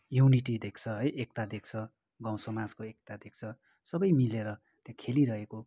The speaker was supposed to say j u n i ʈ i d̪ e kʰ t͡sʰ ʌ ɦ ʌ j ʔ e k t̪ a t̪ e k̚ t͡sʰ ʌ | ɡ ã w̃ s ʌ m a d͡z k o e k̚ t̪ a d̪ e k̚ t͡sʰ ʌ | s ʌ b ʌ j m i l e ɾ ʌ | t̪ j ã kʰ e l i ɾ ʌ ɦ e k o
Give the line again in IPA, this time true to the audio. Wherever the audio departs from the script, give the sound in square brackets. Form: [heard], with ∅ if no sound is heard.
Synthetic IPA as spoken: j u n i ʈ i d̪ e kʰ t͡sʰ ʌ ɦ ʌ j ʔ e k t̪ a [d̪] e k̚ t͡sʰ ʌ | ɡ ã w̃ s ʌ m a d͡z k o e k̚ t̪ a d̪ e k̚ t͡sʰ ʌ | s ʌ b ʌ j m i l e ɾ ʌ | t̪ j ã kʰ e l i ɾ ʌ ɦ e k o